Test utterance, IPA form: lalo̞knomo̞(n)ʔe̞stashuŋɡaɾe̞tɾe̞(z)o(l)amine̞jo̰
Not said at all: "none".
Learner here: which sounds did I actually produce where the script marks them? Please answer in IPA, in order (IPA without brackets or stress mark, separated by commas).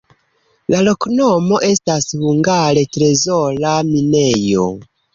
none, z, l